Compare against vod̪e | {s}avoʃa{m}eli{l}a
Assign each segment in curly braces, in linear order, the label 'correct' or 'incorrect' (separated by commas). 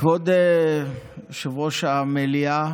incorrect, correct, incorrect